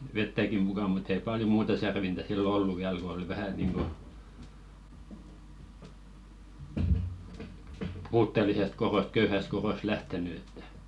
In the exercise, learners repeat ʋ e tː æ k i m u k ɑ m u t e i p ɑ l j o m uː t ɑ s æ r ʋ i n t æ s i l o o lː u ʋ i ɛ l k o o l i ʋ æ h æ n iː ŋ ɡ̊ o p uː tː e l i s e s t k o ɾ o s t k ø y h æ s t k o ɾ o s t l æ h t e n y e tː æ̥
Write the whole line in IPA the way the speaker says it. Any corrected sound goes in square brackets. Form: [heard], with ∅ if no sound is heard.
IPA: ʋ e tː æ k i m u k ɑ m u t e i p ɑ l j o m uː t ɑ s æ r ʋ i n t æ s i [lː] o o lː u ʋ i [æ] l k o o l i ʋ æ h æ n iː ŋ ɡ̊ o p uː tː e l i s e s t k o ɾ o s t k ø y h æ s t k o ɾ o s t l æ h t e n y e tː æ̥